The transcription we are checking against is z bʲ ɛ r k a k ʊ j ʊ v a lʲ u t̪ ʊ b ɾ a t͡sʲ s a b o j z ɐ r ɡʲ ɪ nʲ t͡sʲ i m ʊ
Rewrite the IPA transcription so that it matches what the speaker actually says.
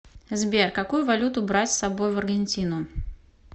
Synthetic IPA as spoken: z bʲ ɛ r k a k u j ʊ v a lʲ u t̪ ʊ b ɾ a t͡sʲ s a b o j v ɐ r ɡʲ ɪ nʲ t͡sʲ i n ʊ